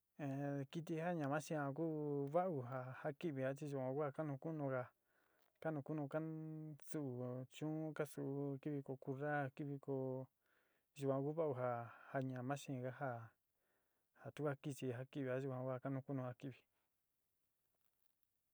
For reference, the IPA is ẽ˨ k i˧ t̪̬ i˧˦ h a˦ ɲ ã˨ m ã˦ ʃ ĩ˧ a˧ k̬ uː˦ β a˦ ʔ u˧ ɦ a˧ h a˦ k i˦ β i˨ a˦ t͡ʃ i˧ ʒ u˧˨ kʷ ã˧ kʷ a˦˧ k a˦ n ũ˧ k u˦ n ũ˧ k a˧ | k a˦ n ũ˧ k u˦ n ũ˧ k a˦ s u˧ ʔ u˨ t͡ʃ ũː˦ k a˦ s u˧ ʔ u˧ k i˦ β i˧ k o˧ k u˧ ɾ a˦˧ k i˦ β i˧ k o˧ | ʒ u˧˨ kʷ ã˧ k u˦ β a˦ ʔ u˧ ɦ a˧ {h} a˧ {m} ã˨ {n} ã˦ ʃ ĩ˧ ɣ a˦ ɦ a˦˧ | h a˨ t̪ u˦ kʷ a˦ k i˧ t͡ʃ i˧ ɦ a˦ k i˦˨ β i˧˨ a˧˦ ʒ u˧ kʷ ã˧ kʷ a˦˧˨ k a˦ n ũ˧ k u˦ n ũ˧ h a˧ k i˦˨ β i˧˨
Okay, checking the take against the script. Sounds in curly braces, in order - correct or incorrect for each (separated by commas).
correct, incorrect, incorrect